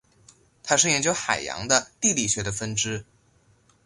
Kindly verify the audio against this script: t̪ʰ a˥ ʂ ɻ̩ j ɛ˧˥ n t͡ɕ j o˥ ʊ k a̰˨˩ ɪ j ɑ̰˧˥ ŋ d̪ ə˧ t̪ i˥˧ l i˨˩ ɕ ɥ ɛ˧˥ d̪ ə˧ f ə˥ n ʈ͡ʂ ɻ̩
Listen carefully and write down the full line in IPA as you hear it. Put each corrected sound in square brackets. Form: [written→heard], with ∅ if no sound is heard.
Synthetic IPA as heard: t̪ʰ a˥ ʂ ɻ̩ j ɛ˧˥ n t͡ɕ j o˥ ʊ [k→x] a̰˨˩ ɪ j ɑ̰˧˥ ŋ d̪ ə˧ t̪ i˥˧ l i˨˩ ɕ ɥ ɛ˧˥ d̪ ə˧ f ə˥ n ʈ͡ʂ ɻ̩